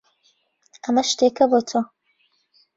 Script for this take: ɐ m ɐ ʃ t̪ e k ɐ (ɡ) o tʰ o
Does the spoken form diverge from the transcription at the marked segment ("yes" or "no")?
yes